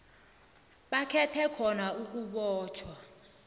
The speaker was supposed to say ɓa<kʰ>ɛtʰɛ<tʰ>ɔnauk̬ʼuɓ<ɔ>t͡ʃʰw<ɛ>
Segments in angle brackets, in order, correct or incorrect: correct, incorrect, incorrect, incorrect

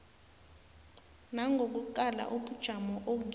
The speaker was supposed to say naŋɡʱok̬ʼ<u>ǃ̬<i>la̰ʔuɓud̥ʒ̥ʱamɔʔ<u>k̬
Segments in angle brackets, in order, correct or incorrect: correct, incorrect, incorrect

